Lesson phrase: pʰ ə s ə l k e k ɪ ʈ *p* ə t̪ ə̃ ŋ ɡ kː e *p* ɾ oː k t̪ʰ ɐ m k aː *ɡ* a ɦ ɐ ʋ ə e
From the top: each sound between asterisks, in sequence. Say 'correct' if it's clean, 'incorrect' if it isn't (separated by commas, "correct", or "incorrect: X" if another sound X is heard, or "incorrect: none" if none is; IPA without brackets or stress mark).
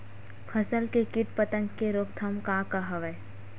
correct, incorrect: none, incorrect: k